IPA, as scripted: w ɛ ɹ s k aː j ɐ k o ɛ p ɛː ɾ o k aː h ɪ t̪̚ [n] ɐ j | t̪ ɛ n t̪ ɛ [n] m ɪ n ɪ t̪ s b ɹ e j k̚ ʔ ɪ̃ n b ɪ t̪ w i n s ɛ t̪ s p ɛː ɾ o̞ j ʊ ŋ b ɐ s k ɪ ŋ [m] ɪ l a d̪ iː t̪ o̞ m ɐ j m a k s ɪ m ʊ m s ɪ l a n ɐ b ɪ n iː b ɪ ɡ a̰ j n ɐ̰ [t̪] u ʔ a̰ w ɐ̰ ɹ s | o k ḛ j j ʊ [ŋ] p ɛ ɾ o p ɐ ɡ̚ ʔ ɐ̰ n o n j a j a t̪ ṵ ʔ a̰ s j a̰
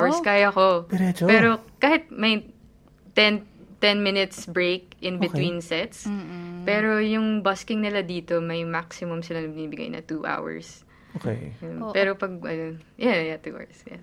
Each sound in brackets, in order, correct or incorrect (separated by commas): incorrect, correct, incorrect, correct, incorrect